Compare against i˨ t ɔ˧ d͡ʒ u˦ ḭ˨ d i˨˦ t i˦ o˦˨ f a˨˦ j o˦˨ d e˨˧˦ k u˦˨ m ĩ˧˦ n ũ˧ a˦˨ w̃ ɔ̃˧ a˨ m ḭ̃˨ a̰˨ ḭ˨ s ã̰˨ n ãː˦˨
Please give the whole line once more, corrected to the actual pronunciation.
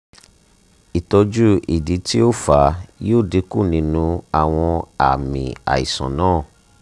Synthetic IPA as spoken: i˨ t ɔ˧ d͡ʒ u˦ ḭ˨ d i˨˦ t i˦ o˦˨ f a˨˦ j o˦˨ d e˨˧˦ k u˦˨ n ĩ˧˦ n ũ˧ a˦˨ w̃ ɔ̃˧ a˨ m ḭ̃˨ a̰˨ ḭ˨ s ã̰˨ n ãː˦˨

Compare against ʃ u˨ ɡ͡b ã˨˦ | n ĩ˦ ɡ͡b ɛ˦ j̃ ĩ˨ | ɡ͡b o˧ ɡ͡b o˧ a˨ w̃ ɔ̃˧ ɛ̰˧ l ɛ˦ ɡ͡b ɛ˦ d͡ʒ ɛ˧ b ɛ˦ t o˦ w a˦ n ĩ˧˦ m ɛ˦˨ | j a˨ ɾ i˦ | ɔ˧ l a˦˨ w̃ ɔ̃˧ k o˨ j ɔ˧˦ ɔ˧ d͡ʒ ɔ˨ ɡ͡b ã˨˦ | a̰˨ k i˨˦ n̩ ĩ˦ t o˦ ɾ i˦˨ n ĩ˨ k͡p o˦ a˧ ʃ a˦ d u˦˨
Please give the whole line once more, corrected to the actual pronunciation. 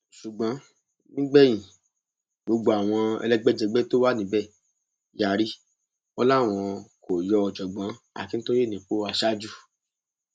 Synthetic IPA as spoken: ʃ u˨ ɡ͡b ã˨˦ | n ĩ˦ ɡ͡b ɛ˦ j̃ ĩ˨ | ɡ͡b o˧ ɡ͡b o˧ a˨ w̃ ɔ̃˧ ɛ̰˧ l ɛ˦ ɡ͡b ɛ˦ d͡ʒ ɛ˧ ɡ͡b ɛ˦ t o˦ w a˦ n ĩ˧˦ b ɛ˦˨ | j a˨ ɾ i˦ | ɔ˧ l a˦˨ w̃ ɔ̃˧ k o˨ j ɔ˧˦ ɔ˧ d͡ʒ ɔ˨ ɡ͡b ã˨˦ | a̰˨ k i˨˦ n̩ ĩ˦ t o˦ ɾ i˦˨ n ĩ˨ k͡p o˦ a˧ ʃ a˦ d͡ʒ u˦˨

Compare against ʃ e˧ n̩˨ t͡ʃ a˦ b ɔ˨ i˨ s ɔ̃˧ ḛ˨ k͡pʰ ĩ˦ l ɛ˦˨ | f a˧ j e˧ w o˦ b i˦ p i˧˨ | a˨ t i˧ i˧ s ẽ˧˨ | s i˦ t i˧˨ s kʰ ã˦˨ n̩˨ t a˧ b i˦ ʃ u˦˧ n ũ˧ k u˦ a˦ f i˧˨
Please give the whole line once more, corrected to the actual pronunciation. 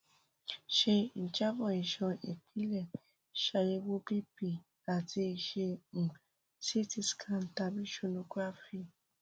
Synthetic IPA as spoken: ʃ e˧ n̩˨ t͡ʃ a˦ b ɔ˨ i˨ ʃ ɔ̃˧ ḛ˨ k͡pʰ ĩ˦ l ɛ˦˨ | ʃ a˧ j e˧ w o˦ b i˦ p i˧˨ | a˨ t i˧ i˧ ʃ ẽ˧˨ | s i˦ t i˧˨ s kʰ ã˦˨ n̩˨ t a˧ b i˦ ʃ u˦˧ n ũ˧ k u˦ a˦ f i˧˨

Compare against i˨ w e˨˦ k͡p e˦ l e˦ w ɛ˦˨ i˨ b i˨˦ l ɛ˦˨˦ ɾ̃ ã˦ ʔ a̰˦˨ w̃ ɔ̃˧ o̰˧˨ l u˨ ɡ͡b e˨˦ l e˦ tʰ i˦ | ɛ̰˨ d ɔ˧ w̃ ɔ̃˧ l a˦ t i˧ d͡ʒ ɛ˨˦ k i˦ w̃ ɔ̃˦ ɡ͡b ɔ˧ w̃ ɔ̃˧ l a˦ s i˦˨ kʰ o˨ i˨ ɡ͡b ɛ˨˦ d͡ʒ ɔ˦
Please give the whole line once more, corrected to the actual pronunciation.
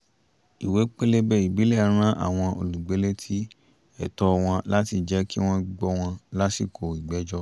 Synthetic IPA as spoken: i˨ w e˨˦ k͡p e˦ l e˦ b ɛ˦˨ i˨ b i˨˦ l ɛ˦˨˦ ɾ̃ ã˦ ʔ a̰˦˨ w̃ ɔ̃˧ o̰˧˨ l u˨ ɡ͡b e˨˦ l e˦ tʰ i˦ | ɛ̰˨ t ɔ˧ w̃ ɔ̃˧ l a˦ t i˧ d͡ʒ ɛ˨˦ k i˦ w̃ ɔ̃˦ ɡ͡b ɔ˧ w̃ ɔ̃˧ l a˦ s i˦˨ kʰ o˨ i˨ ɡ͡b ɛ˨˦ d͡ʒ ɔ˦

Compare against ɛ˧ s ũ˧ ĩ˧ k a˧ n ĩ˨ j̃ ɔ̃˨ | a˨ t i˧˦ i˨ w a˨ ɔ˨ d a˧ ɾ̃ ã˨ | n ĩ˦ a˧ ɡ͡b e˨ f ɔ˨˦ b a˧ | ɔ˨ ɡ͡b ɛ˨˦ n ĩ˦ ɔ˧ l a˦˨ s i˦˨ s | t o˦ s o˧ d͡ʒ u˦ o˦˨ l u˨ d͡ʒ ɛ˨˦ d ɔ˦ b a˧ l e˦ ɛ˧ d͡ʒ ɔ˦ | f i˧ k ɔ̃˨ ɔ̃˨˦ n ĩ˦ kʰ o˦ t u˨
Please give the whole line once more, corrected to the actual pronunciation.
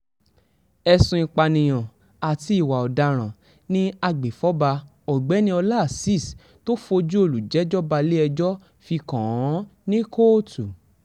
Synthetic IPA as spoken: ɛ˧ s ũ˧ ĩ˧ k͡p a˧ n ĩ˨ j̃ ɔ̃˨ | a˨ t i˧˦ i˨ w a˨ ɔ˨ d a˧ ɾ̃ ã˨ | n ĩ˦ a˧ ɡ͡b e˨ f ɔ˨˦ b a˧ | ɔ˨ ɡ͡b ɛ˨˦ n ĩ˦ ɔ˧ l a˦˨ s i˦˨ s | t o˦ f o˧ d͡ʒ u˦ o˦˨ l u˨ d͡ʒ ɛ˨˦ d͡ʒ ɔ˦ b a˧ l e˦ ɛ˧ d͡ʒ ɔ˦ | f i˧ k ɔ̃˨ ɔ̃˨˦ n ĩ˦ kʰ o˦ t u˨

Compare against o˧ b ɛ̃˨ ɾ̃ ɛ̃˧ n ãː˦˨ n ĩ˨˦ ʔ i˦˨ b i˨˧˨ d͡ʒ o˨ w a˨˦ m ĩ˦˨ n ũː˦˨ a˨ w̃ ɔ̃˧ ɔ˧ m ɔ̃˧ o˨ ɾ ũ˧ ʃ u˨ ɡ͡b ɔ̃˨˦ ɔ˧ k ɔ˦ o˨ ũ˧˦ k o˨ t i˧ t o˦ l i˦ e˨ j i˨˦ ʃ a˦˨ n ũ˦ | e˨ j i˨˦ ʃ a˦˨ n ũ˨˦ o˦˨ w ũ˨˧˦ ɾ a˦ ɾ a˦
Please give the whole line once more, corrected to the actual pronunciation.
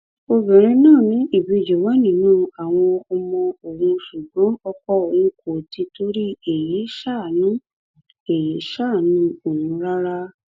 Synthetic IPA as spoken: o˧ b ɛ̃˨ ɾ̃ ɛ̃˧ n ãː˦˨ n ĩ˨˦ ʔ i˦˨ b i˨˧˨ d͡ʒ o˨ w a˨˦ n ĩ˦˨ n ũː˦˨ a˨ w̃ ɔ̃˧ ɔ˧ m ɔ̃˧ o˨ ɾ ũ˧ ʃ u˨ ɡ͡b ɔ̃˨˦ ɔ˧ k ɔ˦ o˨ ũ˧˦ k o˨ t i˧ t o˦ ɾ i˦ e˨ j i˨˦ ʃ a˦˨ n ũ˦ | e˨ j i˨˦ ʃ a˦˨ n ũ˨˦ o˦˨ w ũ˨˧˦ ɾ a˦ ɾ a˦

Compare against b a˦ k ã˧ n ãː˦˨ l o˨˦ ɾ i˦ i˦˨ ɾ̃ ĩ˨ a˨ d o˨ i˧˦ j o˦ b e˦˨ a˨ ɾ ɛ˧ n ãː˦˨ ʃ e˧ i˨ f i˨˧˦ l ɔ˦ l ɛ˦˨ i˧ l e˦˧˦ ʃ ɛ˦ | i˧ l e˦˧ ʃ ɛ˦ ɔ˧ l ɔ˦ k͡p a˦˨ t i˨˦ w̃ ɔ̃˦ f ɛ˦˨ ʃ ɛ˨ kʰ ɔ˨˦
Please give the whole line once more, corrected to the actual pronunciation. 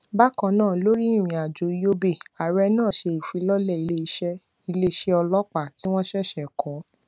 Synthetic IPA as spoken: b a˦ k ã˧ n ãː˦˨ l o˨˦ ɾ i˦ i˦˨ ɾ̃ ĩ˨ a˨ d͡ʒ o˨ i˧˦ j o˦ b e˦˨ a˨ ɾ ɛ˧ n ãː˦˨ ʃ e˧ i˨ f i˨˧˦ l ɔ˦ l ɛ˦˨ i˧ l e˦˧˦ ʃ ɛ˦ | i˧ l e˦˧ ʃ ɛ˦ ɔ˧ l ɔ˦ k͡p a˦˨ t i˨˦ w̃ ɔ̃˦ ʃ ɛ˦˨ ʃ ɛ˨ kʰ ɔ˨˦

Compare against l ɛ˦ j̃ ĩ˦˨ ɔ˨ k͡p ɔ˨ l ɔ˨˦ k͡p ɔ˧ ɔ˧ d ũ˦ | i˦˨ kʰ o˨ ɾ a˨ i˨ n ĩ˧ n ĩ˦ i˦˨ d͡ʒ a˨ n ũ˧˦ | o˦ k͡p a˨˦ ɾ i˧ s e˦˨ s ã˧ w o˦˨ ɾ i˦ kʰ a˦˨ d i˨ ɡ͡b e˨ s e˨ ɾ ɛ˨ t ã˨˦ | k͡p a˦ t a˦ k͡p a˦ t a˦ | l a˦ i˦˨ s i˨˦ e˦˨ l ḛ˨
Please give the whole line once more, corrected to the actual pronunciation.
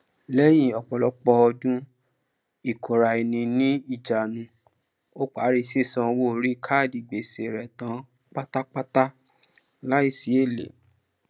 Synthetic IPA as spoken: l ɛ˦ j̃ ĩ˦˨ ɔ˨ k͡p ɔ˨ l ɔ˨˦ k͡p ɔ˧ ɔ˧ d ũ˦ | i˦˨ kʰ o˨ ɾ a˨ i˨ n ĩ˧ n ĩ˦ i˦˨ d͡ʒ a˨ n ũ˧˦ | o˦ k͡p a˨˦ ɾ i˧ s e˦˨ s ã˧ w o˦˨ ɾ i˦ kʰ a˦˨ d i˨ ɡ͡b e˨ s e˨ ɾ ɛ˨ t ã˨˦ | k͡p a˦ t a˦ k͡p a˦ t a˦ | l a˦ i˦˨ s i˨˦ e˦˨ l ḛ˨

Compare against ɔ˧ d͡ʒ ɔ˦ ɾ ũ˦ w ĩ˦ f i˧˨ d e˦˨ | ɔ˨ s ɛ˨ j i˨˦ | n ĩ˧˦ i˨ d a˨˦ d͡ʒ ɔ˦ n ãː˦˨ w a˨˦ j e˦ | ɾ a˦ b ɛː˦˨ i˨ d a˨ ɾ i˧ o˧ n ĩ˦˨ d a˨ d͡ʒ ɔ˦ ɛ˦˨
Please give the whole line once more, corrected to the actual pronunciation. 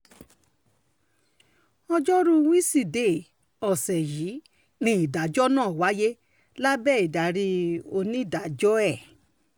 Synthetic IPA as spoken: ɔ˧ d͡ʒ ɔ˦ ɾ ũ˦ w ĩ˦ s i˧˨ d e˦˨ | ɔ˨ s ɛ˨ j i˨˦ | n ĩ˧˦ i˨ d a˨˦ d͡ʒ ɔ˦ n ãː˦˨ w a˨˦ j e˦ | l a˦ b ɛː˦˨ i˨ d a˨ ɾ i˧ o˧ n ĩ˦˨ d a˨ d͡ʒ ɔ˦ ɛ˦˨

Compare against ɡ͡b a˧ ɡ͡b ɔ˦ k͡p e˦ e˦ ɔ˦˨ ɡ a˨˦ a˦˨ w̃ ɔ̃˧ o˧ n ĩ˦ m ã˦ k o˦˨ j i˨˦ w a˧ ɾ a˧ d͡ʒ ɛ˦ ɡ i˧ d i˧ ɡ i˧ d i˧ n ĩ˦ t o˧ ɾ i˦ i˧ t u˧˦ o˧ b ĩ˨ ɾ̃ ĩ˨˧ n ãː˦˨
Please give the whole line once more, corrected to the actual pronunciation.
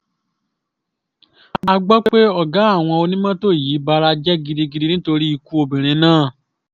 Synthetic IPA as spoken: ɡ͡b a˧ ɡ͡b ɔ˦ k͡p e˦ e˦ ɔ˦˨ ɡ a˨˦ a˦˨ w̃ ɔ̃˧ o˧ n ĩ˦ m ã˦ t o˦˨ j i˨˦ b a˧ ɾ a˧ d͡ʒ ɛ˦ ɡ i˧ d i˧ ɡ i˧ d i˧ n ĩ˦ t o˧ ɾ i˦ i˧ k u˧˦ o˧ b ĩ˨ ɾ̃ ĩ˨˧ n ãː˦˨

